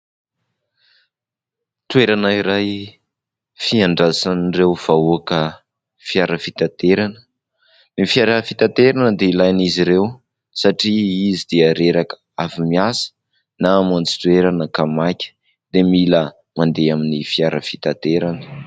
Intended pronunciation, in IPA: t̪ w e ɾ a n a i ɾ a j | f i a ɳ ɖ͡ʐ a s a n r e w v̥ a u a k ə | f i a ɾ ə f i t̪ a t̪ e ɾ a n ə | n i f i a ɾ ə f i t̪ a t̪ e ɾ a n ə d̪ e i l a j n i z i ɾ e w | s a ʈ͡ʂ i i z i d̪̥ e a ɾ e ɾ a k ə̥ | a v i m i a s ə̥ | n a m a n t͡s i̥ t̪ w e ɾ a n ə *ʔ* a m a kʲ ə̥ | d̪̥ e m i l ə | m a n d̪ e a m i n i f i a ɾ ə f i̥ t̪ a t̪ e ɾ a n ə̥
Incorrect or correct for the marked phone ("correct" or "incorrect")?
incorrect